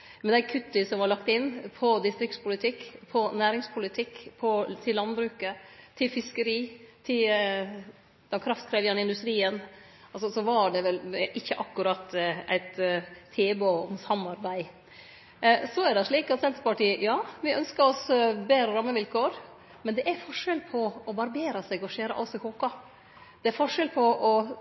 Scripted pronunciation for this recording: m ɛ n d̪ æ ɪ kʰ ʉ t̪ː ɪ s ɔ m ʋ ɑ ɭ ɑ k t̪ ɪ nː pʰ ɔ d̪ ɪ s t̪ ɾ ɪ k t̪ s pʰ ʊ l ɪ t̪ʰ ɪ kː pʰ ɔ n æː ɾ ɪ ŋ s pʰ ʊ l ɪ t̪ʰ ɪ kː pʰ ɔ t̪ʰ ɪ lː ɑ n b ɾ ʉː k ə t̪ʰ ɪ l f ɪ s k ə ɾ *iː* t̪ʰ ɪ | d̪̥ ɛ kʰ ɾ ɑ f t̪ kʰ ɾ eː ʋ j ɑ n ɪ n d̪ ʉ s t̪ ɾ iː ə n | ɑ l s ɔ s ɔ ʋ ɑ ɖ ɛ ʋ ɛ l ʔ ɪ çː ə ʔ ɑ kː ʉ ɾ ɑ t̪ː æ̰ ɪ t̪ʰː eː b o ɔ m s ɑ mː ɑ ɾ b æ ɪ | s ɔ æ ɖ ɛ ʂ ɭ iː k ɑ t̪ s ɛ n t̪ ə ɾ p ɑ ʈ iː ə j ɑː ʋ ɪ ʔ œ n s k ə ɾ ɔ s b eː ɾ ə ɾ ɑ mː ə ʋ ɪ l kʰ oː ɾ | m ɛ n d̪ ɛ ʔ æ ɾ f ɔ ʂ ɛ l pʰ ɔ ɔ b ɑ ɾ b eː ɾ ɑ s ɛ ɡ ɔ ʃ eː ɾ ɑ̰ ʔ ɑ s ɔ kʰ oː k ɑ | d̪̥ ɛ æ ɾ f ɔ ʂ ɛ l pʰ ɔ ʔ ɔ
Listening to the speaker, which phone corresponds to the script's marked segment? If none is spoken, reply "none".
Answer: iː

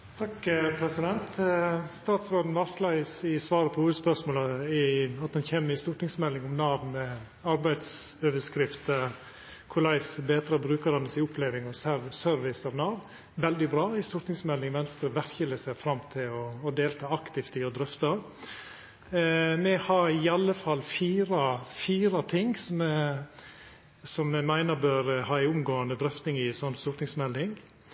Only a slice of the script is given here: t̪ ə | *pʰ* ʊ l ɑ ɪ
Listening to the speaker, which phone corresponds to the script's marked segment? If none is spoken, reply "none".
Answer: kʰ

